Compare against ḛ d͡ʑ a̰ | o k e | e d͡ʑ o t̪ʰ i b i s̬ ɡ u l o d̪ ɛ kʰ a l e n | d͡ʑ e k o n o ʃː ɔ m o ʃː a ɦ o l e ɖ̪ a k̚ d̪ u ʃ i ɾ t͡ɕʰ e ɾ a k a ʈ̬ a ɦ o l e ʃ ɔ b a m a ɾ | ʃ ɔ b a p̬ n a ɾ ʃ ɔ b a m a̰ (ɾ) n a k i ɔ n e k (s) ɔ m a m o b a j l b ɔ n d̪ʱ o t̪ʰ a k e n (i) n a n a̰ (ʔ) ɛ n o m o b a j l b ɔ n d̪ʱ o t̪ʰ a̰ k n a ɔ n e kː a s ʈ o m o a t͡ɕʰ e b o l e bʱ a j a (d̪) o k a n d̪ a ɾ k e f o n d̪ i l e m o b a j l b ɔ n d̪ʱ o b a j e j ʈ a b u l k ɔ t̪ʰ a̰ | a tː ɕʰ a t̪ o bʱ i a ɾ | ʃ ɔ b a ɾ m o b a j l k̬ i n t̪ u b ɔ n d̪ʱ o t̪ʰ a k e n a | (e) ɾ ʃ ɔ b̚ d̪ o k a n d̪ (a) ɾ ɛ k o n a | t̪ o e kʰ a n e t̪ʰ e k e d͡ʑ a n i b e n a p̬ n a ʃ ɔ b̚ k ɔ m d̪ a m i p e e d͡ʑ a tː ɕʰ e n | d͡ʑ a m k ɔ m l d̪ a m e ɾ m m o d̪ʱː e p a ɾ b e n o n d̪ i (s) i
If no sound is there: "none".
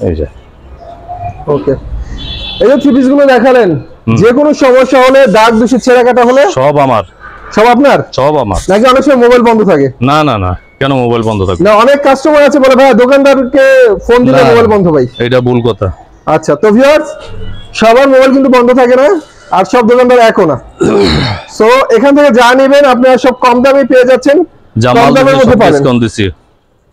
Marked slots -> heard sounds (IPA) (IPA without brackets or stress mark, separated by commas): ɾ, ʃ, a, k, d̪, a, a, s